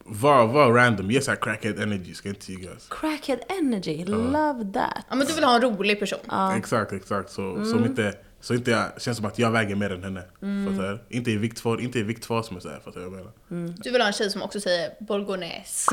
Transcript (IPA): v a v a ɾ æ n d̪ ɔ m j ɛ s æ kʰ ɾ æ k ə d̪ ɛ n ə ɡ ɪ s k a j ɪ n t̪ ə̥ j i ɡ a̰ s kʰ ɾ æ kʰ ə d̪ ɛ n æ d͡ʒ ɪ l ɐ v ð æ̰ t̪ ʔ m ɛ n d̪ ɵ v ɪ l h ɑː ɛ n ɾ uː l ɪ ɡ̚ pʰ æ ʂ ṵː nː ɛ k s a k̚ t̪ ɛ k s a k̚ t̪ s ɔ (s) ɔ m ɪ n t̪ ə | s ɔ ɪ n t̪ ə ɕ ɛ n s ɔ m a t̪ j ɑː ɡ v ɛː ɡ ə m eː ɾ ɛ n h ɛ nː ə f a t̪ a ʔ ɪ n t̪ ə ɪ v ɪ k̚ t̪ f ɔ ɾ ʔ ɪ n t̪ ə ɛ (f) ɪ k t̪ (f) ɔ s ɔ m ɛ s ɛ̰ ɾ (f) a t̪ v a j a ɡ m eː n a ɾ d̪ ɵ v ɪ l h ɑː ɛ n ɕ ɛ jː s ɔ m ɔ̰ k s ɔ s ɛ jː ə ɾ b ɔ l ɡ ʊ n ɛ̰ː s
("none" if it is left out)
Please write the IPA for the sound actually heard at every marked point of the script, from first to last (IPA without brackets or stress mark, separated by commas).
s, v, f, f